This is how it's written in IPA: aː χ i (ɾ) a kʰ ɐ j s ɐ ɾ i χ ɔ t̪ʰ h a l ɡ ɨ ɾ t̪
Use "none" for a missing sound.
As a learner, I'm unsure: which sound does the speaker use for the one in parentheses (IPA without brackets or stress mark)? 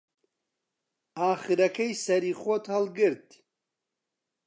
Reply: ɾ